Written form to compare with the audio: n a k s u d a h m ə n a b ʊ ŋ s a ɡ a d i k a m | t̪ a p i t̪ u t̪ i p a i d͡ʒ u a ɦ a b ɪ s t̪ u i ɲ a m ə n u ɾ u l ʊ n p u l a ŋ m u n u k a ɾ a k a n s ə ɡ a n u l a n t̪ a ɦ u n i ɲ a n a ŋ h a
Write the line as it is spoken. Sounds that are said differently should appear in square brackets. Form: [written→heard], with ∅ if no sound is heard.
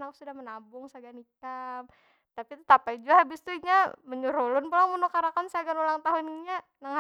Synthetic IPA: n a k s u d a h m ə n a b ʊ ŋ s a ɡ a [d→n] i k a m | t̪ a p i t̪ u t̪ [i→a] p a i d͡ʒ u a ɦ a b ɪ s t̪ u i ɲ a m ə [n→ɲ] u ɾ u l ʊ n p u l a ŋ m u n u k a ɾ a k a n s [ə→a] ɡ a n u l a [n→ŋ] t̪ a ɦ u n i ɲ a n a ŋ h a